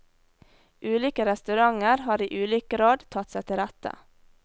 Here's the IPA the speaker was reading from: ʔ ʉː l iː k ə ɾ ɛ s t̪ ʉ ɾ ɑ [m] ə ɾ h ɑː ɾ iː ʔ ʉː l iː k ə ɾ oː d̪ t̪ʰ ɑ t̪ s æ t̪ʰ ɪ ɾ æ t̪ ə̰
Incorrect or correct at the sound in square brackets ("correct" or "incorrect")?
incorrect